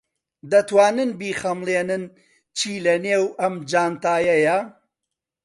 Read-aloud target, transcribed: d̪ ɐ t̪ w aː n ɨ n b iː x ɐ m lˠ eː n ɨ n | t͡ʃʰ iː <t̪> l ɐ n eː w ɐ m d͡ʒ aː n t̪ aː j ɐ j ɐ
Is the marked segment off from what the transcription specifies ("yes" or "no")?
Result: yes